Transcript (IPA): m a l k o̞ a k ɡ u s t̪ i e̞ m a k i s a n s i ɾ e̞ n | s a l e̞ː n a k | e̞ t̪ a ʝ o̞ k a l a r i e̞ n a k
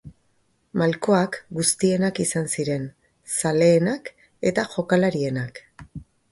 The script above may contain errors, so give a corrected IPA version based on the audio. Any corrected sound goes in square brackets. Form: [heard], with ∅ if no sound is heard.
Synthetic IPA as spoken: m a l k o̞ a k ɡ u s t̪ i e̞ [n] a k i s a n s i ɾ e̞ n | s a l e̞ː n a k | e̞ t̪ a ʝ o̞ k a l a [ɾ] i e̞ n a k